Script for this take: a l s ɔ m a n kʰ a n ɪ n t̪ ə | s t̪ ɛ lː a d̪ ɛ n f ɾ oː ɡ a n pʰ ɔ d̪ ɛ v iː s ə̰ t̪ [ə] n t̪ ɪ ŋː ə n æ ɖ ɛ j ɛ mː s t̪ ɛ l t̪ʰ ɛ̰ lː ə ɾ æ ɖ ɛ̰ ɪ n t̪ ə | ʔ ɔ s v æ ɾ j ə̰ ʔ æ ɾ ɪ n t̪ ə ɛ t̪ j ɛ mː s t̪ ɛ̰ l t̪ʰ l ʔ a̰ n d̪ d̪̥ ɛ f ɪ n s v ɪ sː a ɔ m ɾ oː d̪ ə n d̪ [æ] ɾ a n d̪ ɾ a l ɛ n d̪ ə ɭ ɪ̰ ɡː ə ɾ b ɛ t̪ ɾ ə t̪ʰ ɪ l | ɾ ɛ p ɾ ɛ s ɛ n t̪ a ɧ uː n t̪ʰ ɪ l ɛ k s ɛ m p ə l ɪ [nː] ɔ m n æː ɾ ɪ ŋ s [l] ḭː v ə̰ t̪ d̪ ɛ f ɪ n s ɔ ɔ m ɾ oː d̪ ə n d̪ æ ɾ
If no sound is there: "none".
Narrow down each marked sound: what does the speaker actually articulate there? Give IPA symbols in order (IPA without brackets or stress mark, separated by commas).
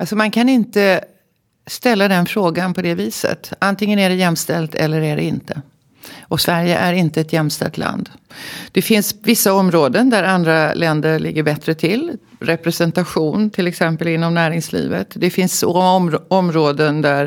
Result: a, æ, nː, l